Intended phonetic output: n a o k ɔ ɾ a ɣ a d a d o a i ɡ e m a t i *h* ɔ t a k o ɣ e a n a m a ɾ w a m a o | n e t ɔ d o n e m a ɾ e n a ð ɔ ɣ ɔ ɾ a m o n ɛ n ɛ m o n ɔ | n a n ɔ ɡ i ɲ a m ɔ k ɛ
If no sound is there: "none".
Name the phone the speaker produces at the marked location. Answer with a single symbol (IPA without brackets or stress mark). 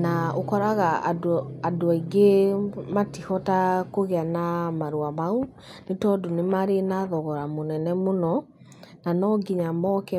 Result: h